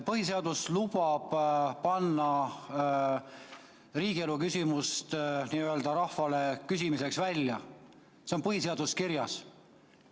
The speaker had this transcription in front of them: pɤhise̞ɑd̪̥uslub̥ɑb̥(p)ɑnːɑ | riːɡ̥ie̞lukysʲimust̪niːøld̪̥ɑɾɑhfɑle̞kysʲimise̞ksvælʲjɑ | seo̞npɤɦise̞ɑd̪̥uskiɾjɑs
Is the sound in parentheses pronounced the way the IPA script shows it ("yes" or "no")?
yes